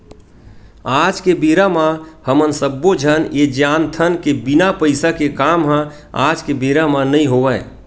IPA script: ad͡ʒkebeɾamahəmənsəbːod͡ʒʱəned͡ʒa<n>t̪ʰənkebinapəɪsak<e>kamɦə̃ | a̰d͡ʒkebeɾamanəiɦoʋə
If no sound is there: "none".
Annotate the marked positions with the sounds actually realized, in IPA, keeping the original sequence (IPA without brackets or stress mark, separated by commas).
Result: n, e